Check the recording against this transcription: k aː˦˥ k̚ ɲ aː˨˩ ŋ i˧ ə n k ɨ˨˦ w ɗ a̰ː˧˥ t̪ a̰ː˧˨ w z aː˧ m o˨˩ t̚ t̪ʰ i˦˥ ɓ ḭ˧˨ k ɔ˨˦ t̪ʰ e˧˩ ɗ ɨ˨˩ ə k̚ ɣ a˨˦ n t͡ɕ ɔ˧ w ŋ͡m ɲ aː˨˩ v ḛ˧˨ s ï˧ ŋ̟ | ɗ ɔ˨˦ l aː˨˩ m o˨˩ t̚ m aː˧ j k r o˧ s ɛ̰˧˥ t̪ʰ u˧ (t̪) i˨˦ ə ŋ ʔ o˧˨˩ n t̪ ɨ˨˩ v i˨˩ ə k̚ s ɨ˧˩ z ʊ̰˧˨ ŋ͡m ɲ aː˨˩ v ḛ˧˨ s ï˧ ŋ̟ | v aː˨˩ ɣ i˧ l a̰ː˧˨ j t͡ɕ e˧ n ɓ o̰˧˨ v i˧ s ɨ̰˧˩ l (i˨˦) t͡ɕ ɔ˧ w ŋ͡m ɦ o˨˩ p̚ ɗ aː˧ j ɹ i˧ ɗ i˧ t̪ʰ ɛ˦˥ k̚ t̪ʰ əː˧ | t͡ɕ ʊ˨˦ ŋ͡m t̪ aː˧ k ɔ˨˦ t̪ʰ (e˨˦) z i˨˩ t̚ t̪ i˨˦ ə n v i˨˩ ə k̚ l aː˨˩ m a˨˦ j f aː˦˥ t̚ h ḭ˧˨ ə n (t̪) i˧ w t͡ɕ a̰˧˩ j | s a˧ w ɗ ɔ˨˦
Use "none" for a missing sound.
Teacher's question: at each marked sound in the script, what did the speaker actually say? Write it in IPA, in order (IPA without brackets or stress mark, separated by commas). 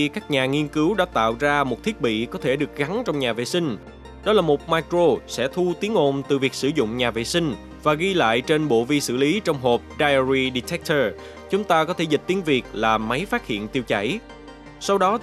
t̪, i˨˦, e˧˩, t̪